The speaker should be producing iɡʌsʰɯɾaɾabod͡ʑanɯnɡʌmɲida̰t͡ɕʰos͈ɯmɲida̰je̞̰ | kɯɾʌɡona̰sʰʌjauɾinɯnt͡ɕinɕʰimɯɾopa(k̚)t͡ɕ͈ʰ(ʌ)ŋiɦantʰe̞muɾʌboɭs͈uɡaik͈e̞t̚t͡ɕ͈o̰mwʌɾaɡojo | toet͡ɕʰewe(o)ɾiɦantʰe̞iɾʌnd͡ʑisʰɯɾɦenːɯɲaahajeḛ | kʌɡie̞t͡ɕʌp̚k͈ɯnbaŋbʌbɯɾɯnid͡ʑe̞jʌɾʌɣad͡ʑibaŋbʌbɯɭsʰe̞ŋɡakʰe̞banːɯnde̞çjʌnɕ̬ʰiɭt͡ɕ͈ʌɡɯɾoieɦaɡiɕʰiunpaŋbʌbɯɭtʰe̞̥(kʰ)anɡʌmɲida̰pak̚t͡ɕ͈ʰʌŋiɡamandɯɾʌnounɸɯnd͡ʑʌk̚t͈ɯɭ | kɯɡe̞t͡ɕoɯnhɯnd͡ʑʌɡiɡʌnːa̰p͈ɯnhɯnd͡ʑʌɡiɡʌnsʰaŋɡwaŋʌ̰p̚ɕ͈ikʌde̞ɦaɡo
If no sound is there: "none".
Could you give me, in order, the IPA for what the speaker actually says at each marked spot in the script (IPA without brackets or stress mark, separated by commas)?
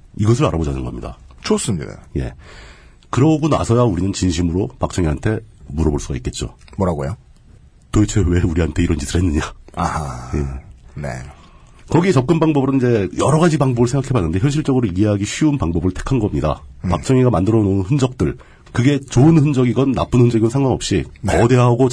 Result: k̚, ʌ, u, kʰ